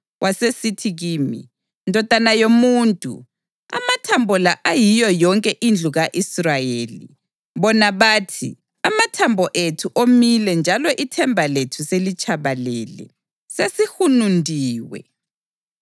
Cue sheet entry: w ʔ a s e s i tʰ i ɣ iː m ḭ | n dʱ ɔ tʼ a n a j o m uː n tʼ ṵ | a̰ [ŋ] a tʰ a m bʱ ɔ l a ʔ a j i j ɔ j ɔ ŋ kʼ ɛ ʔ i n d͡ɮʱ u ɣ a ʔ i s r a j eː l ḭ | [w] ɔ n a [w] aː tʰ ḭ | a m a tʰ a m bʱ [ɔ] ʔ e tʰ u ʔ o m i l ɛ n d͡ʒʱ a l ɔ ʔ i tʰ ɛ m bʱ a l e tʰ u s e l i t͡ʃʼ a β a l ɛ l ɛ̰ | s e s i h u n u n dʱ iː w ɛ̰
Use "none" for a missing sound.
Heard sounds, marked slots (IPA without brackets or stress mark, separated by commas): m, β, β, ɔ